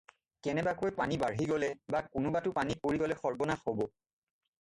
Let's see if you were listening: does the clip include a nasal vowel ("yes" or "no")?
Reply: no